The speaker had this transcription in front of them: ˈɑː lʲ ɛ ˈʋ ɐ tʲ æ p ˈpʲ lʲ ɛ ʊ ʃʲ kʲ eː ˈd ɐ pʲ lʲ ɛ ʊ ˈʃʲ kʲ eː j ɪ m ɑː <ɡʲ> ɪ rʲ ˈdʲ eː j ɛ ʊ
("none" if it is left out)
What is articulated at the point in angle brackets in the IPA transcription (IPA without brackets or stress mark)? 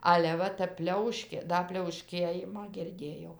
ɡʲ